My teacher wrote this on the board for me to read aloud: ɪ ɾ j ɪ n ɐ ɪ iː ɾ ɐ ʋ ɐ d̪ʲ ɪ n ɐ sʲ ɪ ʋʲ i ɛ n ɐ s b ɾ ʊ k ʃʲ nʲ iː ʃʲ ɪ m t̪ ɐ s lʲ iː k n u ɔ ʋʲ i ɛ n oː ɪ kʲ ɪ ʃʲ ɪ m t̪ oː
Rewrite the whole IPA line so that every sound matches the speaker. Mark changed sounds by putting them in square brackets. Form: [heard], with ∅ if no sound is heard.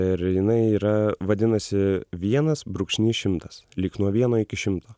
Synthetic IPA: ɪ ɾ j ɪ n ɐ ɪ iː ɾ ɐ ʋ ɐ d̪ʲ ɪ n ɐ sʲ ɪ ʋʲ i ɛ n ɐ s b ɾ ʊ k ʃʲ nʲ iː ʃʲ ɪ m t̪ ɐ s lʲ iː k n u ɔ ʋʲ i ɛ n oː ɪ kʲ ɪ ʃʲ ɪ m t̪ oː